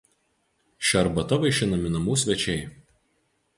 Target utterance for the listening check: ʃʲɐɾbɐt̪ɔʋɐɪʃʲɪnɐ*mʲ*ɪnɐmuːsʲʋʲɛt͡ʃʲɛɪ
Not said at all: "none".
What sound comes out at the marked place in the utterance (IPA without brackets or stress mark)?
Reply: mʲ